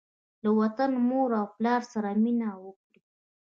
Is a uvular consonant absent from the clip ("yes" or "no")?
yes